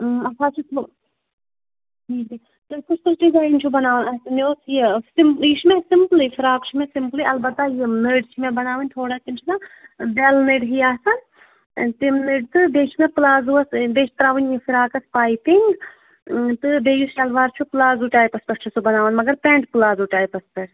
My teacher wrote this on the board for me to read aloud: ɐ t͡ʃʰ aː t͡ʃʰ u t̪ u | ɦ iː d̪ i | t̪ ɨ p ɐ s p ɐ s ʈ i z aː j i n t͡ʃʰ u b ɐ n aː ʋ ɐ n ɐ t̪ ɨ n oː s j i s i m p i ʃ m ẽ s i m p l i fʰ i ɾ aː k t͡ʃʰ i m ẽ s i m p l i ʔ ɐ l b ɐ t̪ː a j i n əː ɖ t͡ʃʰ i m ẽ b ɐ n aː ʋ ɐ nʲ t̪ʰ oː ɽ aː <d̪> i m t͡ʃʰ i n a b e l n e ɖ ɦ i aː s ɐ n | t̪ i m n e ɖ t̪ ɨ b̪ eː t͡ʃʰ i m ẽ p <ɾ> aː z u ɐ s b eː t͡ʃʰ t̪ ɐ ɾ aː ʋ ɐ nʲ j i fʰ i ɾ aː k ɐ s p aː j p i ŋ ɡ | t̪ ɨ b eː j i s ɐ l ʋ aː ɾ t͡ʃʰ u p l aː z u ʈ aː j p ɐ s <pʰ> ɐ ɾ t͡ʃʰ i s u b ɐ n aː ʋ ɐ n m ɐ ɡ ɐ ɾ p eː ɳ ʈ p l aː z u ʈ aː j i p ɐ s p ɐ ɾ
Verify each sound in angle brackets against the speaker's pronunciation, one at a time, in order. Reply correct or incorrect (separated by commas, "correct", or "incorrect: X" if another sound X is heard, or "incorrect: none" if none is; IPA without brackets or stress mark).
incorrect: t̪, incorrect: l, incorrect: p